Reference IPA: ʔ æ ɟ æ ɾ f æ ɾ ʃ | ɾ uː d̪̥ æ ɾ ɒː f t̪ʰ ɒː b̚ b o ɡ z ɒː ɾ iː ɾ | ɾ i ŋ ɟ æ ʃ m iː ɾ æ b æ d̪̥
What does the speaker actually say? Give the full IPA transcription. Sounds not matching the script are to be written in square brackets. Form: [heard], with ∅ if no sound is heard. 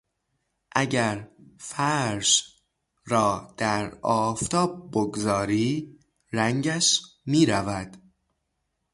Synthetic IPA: ʔ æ ɟ æ ɾ f æ ɾ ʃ | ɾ [ɒː] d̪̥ æ ɾ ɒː f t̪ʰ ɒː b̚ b o ɡ z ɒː ɾ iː [∅] | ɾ [æ] ŋ ɟ æ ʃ m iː ɾ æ [v] æ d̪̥